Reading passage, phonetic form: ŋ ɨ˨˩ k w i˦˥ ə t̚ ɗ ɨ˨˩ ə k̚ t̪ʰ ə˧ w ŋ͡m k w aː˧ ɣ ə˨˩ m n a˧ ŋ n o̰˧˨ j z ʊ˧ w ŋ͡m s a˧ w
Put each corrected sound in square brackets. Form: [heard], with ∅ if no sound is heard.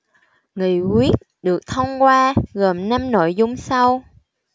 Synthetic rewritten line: ŋ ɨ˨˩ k w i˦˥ ə t̚ ɗ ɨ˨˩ ə k̚ t̪ʰ ə˧ w ŋ͡m k w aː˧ ɣ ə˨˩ m n a˧ [m] n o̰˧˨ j z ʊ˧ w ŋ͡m s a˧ w